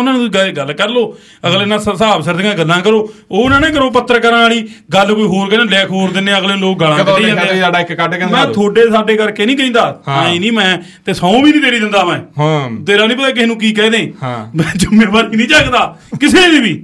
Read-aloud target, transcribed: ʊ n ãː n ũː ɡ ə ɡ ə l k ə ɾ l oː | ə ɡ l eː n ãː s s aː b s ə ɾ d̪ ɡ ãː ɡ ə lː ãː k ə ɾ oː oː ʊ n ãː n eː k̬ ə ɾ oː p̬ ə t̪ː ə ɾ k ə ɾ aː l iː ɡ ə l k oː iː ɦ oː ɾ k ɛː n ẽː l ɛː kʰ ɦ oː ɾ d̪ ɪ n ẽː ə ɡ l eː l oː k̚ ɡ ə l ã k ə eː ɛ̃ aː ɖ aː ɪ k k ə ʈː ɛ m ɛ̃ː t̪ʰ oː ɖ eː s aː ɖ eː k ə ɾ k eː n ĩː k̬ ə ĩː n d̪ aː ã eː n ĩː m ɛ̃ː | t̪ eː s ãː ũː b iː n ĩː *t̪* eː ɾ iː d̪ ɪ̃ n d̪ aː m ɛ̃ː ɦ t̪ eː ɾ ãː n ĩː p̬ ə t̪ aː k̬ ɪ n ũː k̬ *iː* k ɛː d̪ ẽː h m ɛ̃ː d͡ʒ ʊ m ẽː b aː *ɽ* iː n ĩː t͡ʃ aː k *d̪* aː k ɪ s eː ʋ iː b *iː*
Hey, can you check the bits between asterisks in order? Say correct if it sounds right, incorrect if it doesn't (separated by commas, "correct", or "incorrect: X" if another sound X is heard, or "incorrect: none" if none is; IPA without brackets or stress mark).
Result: correct, correct, incorrect: ɾ, correct, correct